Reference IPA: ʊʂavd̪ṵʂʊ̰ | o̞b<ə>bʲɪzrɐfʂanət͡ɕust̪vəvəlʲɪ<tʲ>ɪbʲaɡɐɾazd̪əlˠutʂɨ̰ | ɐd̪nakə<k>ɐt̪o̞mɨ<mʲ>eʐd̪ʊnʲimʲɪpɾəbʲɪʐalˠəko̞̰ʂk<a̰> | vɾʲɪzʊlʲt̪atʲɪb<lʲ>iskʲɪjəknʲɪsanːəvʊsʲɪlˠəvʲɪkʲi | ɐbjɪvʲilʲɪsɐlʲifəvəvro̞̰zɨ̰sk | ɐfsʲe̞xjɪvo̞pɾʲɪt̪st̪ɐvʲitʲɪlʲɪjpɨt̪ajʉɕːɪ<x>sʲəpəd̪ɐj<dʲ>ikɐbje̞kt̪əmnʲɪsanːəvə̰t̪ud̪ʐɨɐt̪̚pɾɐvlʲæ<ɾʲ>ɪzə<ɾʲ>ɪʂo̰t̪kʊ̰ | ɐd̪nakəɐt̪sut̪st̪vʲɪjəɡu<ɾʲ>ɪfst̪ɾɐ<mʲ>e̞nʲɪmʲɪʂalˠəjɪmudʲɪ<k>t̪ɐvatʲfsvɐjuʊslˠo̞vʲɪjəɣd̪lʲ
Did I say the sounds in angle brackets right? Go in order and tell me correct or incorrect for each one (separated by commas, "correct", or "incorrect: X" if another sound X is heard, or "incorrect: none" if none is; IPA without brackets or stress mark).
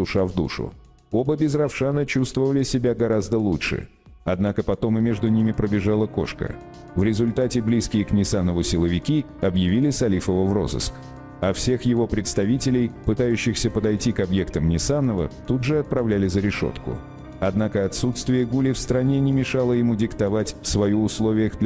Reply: correct, incorrect: sʲ, incorrect: p, correct, incorrect: ə̰, correct, correct, incorrect: tʲ, incorrect: lʲ, correct, incorrect: lʲ, incorrect: nʲ, correct